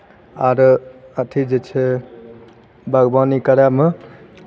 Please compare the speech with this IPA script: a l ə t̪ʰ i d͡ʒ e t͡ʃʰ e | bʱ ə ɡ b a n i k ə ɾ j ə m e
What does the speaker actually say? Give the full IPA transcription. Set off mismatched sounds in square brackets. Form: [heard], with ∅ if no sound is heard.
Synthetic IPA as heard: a [ɾ] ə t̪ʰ i d͡ʒ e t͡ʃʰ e | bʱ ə ɡ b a n i k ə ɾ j [a] m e